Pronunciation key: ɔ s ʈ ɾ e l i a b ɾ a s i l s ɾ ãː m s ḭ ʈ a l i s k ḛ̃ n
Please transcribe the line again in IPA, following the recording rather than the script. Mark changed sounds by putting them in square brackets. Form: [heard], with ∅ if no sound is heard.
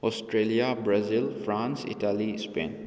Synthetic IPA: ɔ s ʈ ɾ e l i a b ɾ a [z] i l [f] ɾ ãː [n] s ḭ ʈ a l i s [p] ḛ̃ n